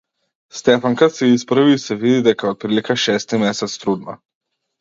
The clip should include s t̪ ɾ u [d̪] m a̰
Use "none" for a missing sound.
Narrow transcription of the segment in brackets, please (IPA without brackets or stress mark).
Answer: d̪